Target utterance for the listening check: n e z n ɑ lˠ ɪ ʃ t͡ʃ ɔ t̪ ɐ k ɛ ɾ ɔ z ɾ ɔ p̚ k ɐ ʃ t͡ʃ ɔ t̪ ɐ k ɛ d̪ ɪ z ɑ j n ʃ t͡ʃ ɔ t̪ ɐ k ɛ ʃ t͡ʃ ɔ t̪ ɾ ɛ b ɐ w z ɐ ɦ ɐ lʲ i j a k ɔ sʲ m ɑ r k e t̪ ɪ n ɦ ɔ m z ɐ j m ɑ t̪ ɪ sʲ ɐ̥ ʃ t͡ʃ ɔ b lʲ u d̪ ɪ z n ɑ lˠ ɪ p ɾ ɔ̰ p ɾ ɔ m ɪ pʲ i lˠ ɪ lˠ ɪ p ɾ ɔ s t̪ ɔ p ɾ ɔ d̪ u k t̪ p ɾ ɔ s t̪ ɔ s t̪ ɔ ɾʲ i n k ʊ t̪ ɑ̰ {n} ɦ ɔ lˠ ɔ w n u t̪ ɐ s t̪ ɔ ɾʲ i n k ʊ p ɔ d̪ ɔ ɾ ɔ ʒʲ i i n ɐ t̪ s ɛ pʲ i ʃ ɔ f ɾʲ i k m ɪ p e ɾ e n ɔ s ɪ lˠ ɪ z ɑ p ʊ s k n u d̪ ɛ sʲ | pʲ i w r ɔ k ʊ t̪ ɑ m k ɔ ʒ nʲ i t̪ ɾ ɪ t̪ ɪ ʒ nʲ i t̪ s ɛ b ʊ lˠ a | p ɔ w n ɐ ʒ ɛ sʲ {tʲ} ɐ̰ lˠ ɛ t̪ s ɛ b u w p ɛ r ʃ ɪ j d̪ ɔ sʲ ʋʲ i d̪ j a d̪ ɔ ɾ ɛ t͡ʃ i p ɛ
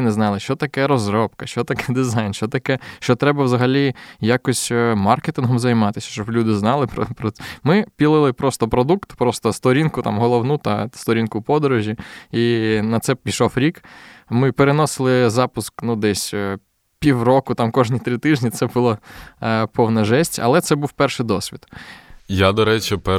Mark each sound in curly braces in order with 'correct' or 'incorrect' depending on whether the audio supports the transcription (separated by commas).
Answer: incorrect, correct